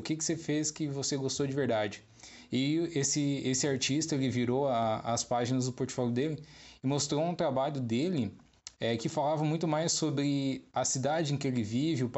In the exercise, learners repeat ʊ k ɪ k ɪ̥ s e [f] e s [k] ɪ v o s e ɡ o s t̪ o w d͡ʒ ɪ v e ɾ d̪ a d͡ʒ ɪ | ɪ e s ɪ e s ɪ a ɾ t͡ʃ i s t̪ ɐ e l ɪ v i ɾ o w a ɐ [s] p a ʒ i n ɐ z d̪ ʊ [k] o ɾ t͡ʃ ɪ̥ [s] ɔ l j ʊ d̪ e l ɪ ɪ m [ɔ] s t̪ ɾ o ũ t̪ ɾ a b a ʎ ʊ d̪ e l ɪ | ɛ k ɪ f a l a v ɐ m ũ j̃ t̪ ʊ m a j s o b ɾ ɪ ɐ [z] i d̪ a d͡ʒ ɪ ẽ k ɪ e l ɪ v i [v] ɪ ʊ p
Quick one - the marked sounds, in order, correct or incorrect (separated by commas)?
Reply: correct, correct, correct, incorrect, incorrect, incorrect, incorrect, correct